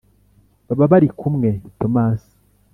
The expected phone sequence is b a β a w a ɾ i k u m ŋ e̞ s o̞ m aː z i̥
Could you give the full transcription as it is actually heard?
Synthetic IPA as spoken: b a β a β a ɾ i k u m ŋ e̞ t o̞ m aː s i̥